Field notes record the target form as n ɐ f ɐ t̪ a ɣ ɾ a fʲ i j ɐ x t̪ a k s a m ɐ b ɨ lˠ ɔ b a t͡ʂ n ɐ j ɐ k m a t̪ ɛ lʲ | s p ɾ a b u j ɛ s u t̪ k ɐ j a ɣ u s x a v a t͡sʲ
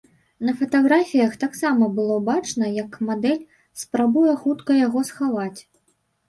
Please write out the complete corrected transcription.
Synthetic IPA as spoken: n ɐ f ɐ t̪ a ɣ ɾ a fʲ i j ɐ x t̪ a k s a m ɐ b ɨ lˠ ɔ b a t͡ʂ n ɐ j ɐ k m a d̪ ɛ lʲ | s p ɾ a b u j ɛ x u t̪ k ɐ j a ɣ ɔ s x a v a t͡sʲ